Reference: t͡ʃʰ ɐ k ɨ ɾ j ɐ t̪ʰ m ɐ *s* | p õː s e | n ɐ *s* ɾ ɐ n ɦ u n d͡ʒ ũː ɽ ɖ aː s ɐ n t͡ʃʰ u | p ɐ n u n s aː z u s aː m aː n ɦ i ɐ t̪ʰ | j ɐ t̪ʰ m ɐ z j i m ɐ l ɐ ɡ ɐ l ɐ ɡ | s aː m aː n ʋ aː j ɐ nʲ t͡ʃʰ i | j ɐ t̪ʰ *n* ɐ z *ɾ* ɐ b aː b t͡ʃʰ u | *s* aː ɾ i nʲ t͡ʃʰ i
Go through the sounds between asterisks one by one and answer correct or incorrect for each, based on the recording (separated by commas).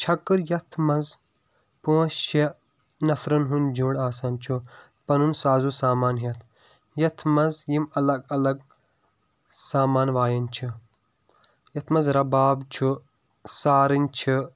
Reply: incorrect, incorrect, incorrect, correct, correct